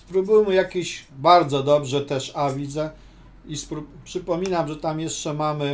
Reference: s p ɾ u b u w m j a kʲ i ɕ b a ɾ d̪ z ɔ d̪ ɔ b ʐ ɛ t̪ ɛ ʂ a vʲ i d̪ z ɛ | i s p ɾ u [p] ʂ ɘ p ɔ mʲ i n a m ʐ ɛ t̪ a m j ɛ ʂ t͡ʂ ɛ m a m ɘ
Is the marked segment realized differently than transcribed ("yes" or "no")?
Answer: no